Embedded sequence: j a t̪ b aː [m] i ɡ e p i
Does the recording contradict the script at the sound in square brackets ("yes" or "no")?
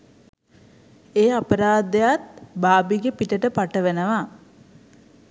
yes